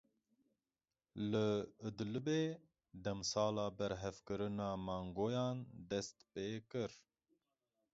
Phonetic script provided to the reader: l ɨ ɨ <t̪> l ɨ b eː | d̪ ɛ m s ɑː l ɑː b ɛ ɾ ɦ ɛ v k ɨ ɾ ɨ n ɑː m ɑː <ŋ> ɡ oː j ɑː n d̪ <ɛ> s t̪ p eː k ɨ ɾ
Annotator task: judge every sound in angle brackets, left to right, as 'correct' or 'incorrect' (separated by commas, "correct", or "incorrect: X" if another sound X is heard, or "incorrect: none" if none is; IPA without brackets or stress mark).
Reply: incorrect: d̪, correct, correct